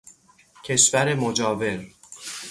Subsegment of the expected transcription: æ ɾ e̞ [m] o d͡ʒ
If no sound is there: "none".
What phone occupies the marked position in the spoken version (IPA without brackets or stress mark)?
m